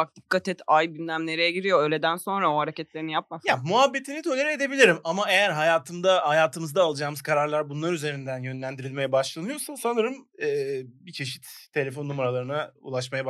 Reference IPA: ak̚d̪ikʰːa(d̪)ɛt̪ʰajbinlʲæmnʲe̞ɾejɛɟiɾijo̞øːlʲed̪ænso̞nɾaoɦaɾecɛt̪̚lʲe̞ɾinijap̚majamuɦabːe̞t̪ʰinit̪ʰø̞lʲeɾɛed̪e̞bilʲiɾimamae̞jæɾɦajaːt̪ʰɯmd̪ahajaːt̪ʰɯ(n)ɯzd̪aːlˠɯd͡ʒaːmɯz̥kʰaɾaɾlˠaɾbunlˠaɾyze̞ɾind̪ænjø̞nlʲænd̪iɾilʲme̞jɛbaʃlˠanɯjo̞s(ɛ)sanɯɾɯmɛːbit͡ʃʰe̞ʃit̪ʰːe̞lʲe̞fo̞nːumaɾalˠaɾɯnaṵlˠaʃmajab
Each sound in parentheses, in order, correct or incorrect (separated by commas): incorrect, incorrect, incorrect